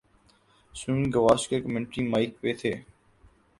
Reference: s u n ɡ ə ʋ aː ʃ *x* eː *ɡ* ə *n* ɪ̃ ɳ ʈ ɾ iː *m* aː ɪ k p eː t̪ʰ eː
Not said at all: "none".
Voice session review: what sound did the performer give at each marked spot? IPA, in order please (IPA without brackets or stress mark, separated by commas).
k, k, m, m